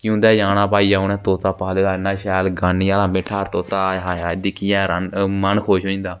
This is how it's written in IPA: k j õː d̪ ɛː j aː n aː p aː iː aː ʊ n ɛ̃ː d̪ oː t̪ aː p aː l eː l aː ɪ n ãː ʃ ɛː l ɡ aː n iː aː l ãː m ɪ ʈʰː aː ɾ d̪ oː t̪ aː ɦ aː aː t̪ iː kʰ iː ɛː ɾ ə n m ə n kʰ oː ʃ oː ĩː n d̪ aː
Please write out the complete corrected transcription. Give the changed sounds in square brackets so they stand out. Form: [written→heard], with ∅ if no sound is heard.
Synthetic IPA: k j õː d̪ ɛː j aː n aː p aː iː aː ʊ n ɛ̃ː [d̪→t̪] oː t̪ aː p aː l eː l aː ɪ n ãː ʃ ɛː l ɡ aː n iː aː l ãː m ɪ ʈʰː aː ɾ [d̪→t̪] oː t̪ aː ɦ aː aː [t̪→d̪] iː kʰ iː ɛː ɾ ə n m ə n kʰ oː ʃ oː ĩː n d̪ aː